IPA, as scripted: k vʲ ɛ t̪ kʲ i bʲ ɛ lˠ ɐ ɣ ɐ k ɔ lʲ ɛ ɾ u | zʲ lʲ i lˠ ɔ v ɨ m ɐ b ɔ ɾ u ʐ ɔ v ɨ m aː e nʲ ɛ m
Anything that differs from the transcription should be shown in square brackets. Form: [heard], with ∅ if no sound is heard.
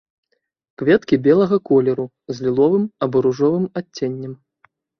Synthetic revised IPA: k vʲ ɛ t̪ kʲ i bʲ ɛ lˠ ɐ ɣ ɐ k ɔ lʲ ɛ ɾ u | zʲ lʲ i lˠ ɔ v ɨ m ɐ b ɔ ɾ u ʐ ɔ v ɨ m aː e [nʲː] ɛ m